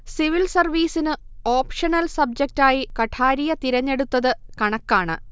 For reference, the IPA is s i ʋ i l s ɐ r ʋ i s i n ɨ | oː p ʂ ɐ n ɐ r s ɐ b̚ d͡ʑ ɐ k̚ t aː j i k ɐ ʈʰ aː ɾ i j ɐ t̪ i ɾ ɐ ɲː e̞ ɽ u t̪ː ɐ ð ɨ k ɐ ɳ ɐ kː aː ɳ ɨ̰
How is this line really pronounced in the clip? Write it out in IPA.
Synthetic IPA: s i ʋ i l s ɐ r ʋ iː s i n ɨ | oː p ʂ ɐ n ɐ l s ɐ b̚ d͡ʑ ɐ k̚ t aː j i k ɐ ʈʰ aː ɾ i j ɐ t̪ i ɾ ɐ ɲː e̞ ɽ u t̪ː ɐ ð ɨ k ɐ ɳ ɐ kː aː ɳ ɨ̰